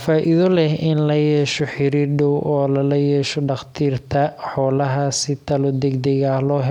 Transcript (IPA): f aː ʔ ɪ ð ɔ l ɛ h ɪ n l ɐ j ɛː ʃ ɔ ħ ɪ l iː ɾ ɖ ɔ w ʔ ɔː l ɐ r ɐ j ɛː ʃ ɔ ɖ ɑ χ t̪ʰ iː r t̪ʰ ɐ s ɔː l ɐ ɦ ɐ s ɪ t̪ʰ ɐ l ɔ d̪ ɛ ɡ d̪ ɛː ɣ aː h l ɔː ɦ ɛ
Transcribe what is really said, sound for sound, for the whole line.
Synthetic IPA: f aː ʔ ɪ ð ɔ l ɛ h ɪ n l ɐ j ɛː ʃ ɔ ħ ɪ ɾ iː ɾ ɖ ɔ w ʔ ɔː l ɐ l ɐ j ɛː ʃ ɔ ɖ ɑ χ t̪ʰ iː r t̪ʰ ɐ ħ ɔː l ɐ ɦ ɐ s ɪ t̪ʰ ɐ l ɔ d̪ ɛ ɡ d̪ ɛ ɣ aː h l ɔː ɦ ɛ